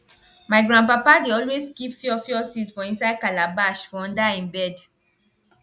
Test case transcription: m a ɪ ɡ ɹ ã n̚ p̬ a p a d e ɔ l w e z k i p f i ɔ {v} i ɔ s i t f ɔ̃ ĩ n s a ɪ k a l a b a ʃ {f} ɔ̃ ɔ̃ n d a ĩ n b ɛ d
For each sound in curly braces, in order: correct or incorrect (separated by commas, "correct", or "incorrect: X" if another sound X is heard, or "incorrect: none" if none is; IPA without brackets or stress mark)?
incorrect: f, correct